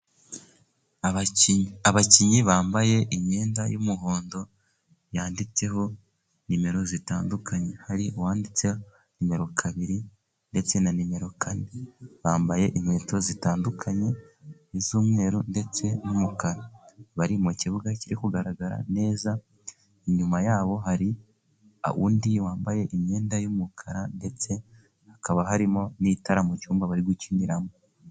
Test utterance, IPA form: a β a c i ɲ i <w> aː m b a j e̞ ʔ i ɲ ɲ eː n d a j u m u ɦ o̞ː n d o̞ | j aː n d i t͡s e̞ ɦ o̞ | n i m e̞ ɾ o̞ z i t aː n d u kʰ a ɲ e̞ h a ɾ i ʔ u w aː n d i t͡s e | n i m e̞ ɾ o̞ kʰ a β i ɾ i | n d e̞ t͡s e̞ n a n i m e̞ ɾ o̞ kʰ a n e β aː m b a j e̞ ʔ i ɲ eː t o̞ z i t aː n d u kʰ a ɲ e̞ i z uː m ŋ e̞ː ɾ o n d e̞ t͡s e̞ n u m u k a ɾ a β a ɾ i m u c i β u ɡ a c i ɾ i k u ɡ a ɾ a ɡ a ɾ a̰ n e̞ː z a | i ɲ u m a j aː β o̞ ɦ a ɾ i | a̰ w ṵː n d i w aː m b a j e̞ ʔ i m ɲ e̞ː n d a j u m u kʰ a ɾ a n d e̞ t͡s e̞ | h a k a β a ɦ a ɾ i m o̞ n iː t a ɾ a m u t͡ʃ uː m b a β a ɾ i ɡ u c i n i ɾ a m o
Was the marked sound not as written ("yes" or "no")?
yes